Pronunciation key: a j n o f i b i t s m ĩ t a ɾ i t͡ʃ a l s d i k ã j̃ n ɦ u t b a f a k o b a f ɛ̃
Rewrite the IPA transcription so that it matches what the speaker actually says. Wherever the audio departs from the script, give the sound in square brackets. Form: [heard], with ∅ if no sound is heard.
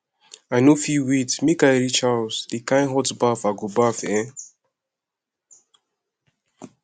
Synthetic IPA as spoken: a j n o f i [w] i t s m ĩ [k] a ɾ i t͡ʃ a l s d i k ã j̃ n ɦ [ɔ] t b a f a [ɡ] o b a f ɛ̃